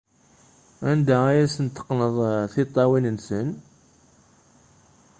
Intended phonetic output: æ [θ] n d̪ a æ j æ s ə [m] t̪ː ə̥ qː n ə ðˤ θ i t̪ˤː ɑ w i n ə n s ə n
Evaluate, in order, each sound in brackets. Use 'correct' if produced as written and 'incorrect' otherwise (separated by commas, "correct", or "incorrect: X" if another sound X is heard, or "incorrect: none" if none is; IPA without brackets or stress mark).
incorrect: none, incorrect: n